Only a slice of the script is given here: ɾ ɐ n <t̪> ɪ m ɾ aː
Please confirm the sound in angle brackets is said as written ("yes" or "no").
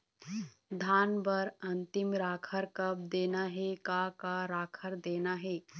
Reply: yes